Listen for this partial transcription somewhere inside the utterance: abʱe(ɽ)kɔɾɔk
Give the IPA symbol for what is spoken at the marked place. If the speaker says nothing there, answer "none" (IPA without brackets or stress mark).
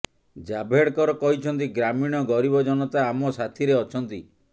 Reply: ɽ